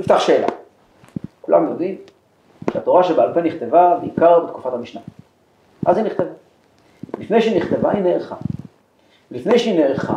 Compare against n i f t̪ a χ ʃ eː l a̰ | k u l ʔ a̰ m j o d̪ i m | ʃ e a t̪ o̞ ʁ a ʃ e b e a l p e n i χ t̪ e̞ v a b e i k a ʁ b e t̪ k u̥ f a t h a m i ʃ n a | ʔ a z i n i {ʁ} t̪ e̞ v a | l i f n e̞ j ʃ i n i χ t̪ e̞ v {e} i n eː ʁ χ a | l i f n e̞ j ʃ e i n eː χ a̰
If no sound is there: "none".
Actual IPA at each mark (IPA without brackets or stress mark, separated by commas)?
χ, a